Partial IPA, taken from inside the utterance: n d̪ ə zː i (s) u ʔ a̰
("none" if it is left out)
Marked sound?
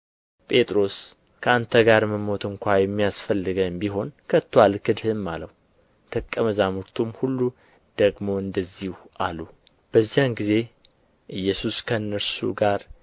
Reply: h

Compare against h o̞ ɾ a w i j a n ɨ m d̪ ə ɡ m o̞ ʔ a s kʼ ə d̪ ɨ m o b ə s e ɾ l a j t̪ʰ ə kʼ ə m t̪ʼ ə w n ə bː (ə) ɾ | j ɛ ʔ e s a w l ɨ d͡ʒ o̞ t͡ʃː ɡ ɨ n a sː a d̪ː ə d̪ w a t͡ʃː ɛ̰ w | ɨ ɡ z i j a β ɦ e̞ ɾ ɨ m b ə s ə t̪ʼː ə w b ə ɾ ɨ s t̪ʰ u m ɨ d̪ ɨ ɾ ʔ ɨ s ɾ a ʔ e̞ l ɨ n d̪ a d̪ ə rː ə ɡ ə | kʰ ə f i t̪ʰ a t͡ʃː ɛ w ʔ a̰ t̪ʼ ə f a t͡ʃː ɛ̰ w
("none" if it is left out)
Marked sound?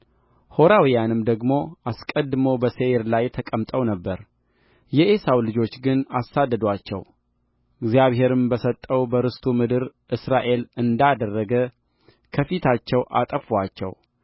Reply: ə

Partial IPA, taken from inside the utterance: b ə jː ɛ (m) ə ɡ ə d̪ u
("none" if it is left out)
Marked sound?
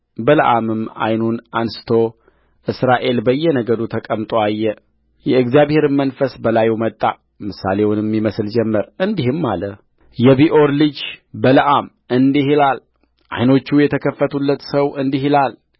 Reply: n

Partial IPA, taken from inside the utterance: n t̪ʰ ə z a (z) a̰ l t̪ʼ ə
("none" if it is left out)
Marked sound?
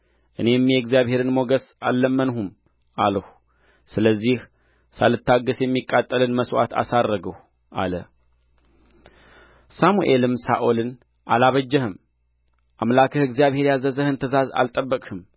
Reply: z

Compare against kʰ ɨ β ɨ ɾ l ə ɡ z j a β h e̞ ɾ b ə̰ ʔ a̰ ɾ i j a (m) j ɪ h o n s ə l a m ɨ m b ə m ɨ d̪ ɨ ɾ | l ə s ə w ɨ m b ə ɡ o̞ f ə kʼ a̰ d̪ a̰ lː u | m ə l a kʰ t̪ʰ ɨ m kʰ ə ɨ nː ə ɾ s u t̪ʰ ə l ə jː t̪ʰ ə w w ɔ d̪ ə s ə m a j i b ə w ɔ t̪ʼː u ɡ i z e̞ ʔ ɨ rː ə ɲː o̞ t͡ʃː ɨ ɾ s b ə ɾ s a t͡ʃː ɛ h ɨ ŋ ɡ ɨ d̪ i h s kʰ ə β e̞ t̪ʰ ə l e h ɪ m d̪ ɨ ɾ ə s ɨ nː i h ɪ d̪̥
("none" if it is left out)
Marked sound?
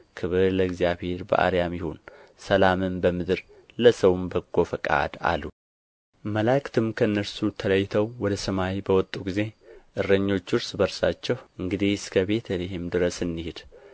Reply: m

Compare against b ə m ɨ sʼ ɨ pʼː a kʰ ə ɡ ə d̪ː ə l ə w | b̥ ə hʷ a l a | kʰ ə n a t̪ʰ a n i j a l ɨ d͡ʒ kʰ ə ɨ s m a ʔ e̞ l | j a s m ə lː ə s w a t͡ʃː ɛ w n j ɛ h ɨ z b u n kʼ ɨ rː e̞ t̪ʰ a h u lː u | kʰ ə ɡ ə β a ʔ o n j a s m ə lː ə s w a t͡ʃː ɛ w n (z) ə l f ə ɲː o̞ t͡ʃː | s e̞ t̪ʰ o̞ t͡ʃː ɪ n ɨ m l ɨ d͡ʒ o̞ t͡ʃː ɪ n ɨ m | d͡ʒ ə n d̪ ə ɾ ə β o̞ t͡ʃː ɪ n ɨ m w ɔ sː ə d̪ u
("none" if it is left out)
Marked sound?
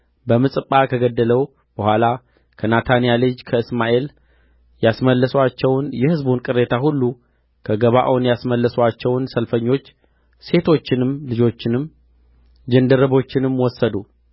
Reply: s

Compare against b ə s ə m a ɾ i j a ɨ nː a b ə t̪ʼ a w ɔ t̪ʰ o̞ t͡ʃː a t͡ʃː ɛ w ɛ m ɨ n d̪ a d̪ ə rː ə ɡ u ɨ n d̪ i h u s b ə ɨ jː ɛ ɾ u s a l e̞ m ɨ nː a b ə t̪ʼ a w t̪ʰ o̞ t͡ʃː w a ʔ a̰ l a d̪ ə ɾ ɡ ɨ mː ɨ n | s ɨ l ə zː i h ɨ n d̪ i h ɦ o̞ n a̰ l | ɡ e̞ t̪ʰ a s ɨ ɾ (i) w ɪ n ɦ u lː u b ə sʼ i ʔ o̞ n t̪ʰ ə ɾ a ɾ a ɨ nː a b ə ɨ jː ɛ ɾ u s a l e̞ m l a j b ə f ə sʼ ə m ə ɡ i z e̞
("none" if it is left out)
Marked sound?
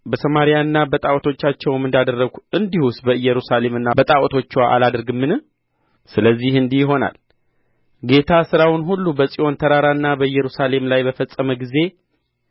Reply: a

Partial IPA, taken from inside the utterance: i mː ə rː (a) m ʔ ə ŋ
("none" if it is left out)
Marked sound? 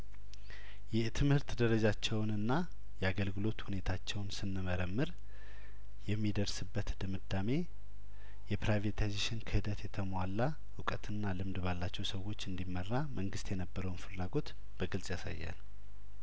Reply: a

